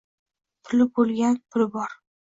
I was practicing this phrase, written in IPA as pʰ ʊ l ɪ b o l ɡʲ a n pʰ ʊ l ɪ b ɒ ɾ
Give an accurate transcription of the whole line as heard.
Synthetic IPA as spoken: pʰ ʊ l ɪ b o l ɡʲ a n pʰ ʊ l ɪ b ɒ ɾ

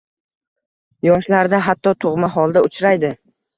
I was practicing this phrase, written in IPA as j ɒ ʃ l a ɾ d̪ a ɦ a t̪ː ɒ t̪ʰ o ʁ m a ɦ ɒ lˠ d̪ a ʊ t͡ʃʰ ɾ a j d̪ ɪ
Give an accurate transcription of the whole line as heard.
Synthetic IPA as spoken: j ɒ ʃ l a ɾ d̪ a ɦ a t̪ː ɒ t̪ʰ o ʁ m a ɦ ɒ lˠ d̪ a ʊ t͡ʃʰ ɾ a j d̪ ɪ

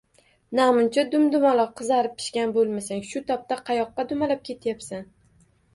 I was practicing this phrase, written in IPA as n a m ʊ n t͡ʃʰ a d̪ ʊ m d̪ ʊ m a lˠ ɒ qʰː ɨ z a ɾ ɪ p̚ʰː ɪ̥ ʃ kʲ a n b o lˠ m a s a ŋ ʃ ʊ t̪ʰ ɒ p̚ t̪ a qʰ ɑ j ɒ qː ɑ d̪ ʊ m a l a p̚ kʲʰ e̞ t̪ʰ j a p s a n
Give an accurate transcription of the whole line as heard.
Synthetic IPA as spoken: n a m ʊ n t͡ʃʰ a d̪ ʊ m d̪ ʊ m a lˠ ɒ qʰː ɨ z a ɾ ɪ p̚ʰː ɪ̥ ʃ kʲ a n b o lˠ m a s a ŋ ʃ ʊ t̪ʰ ɒ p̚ t̪ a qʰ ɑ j ɒ qː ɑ d̪ ʊ m a l a p̚ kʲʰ e̞ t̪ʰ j a p s a n

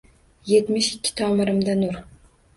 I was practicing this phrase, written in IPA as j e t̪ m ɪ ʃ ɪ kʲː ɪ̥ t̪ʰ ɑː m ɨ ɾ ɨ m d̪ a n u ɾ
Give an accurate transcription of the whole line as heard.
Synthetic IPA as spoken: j e t̪ m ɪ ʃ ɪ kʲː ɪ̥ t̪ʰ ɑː m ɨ ɾ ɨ m d̪ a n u ɾ

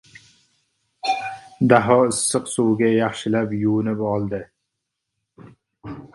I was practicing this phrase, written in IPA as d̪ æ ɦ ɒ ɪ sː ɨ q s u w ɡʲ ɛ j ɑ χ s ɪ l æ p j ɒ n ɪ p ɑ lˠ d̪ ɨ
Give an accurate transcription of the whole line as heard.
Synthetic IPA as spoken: d̪ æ ɦ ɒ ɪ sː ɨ q s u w ɡʲ ɛ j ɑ χ ʃ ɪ l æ p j u n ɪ p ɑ lˠ d̪ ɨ

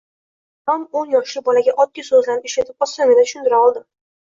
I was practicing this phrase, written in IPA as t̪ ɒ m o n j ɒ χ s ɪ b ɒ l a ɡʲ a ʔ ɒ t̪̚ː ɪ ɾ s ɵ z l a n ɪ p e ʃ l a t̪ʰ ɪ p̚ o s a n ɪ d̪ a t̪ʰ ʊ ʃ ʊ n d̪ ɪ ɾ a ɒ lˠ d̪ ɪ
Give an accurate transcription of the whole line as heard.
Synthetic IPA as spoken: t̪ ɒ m o n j ɒ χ ʃ ɪ b ɒ l a ɡʲ a ʔ ɒ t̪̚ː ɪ s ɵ z l a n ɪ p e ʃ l a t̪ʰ ɪ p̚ ɒ s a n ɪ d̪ a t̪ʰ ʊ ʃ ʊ n d̪ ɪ ɾ a ɒ lˠ d̪ ɪ

